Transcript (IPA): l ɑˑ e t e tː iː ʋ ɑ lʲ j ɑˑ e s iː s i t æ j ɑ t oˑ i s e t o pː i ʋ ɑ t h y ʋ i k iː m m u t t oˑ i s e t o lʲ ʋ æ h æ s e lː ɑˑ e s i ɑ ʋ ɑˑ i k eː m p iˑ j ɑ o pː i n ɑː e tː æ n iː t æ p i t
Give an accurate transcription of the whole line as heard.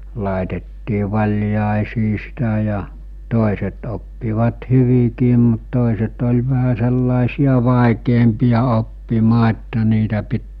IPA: l ɑˑ e t e tː iː ʋ ɑ lʲ j ɑˑ e s iː s i t æ j ɑ t oˑ i s e t o pː i ʋ ɑ t h y ʋ i k iː m m u t t oˑ i s e t o lʲ ʋ æ h æ s e lː ɑˑ e s i ɑ ʋ ɑˑ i k eː m p iˑ j ɑ o pː i m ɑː e tː æ n iː t æ p i t

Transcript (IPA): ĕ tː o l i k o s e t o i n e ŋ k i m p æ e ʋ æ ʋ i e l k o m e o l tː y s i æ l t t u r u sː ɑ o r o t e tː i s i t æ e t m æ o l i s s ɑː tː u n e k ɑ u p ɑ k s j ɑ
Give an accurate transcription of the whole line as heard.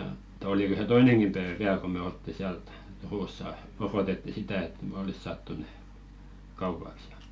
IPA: ĕ tː o l i k o s e t o i n e ŋ k i m p æ e ʋ æ ʋ i æ l k o m e o l tː i s i æ l t t u r u sː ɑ o r o t e tː i s i t æ e t m e o l i s s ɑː tː u n e k ɑ u p ɑ k s j ɑ

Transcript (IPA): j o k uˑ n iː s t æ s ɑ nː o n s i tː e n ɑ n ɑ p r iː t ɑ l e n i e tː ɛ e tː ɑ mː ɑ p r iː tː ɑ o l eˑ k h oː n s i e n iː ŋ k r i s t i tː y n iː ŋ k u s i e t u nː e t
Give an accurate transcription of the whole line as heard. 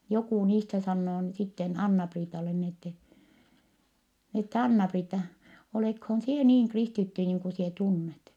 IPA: j o k uˑ n iː s t æ s ɑ nː oː n s i tː e n ɑ nː ɑ p r iː t ɑ l e n i e tː ɛ e tː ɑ nː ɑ p r iː tː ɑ o l eˑ k h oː n s i e n iː ŋ k r i s t i tː y n iː ŋ k u s i e t u nː e t

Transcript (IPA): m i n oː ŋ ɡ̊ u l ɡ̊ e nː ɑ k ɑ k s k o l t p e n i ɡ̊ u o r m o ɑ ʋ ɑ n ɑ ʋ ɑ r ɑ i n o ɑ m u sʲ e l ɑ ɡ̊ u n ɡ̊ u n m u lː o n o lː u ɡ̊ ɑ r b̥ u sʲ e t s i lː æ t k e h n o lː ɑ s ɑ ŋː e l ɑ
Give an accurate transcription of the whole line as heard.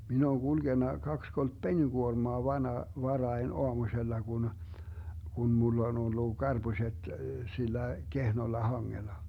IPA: m i n oː ŋ ɡ̊ u l ɡ̊ e nː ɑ k ɑ k s k o l t p e n i ɡ̊ u o r m o ɑ ʋ ɑ n ɑ ʋ ɑ r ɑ i n o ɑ m u sʲ e lː ɑ ɡ̊ u n ɡ̊ u n m u lː o n o lː u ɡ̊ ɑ r b̥ u sʲ e t s i lː æ k e h n o lː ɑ h ɑ ŋː e l ɑ

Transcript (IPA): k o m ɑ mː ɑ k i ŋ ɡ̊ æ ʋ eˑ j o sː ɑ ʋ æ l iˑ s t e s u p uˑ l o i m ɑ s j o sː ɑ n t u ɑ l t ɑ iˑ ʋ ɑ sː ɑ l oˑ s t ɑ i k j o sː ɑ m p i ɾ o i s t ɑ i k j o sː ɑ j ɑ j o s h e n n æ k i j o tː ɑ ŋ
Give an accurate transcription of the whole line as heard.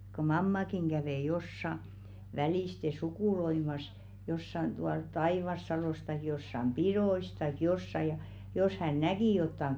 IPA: k o m ɑ mː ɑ k i ŋ ɡ̊ æ ʋ eˑ j o sː ɑ ʋ æ l iˑ s t e s u k uˑ l o i m ɑ s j o sː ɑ n t u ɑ l t ɑ iˑ ʋ ɑ sː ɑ l oˑ s t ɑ i k j o sː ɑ m p i ɾ o i s t ɑ i k j o sː ɑ j ɑ j o s h æ n n æ k i j o tː ɑ ŋ

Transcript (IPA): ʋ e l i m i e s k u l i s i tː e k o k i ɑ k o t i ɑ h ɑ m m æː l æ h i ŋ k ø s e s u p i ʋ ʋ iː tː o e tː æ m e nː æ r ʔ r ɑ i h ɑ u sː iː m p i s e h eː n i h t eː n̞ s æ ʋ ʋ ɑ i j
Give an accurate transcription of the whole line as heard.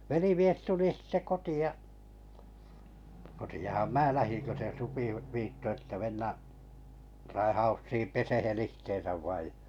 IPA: ʋ e l i m i e s t u l i s i tː e k o t i ɑ k o t i ɑ h ɑ m m æː l æ h i ŋ k ø s e s u p i ʋ ʋ iː tː o e tː æ m e nː æ ʔ r ɑ i h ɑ u sː iː m p e s e h e n i h t eː n̞ s æ ʋ ʋ ɑ i j

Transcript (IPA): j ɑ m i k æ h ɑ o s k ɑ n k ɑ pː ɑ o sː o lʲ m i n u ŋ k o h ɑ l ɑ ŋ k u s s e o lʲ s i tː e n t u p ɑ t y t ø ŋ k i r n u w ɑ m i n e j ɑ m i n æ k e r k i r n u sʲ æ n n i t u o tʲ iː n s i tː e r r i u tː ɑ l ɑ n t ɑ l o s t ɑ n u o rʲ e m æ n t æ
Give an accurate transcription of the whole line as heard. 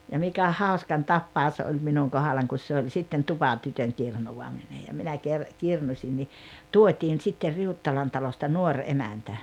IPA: j ɑ m i k æ h ɑ o s k ɑ n t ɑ pː ɑ o s o lʲ m i n u ŋ k o h ɑ l ɑ ŋ k u s s e o lʲ s i tː e n t u p ɑ t y t ø ŋ k i r n u w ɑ m i n e j ɑ m i n æ k e r k i r n u sʲ i n n i t u o tʲ iː n s i tː e r r i u tː ɑ l ɑ n t ɑ l o s t ɑ n u o rʲ e m æ n t æ

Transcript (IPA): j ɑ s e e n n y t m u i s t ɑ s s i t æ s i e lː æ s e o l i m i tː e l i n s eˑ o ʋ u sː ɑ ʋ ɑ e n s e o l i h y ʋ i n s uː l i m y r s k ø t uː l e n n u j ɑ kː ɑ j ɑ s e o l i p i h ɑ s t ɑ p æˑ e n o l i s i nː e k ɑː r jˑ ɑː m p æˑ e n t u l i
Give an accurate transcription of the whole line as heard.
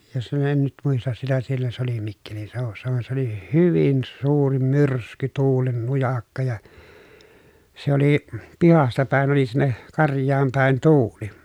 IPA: j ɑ s e e n n y t m u i s t ɑ s s i t æ s i e lː æ s e o l i m i kː e l i n s eˑ o ʋ u sː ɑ ʋ ɑ e n s e o l i h y ʋ i n s uː r i m y r s k y t uː l e n n u j ɑ kː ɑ j ɑ s e o l i p i h ɑ s t ɑ p æˑ e n o l i s i nː e k ɑ r jˑ ɑː m p æˑ e n t uː l i

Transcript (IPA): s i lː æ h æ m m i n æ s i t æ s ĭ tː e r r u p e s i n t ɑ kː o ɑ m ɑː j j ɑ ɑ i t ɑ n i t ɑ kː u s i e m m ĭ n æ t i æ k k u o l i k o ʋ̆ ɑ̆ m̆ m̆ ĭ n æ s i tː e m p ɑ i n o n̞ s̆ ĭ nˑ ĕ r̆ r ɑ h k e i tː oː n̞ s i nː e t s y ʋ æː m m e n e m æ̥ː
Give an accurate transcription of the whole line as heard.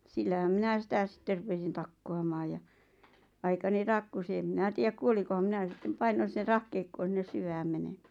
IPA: s i lː æ h æ m m i n æ s i t æ s ĭ tː e r r u p e s i n t ɑ kː o ɑ m ɑː j j ɑ ɑ i k ɑ n i t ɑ kː u s i e m m ĭ n æ t i æ k k u o l i k o ʋ̆ ɑ̆ m̆ m̆ ĭ n æ s i tː e m p ɑ i n o n̞ s̆ ĭ nˑ ĕ r̆ r ɑ h k e i kː oː n̞ s i nː e s s y ʋ æː m m e n e m æ̥ː

